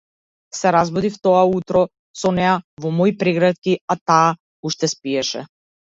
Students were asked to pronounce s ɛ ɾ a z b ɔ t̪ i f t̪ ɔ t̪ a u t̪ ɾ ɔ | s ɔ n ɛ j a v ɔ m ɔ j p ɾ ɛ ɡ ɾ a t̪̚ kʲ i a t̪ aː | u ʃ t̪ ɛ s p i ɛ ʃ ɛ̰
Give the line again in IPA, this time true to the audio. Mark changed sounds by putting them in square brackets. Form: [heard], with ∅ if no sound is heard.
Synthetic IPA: s ɛ ɾ a z b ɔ [d̪] i f t̪ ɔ [∅] a u t̪ ɾ ɔ | s ɔ n ɛ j a v ɔ m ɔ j p ɾ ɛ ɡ ɾ a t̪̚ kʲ i a t̪ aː | u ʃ t̪ ɛ s p i ɛ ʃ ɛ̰